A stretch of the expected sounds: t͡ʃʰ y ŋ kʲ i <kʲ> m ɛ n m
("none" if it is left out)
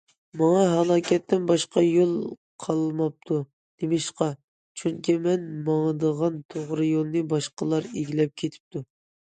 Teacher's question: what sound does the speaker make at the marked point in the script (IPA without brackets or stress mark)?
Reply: none